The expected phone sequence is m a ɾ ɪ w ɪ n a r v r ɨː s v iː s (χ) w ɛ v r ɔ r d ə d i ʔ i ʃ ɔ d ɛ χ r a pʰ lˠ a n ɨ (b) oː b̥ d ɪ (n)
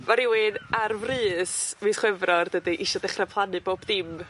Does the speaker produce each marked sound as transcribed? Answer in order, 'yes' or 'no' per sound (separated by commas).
yes, yes, no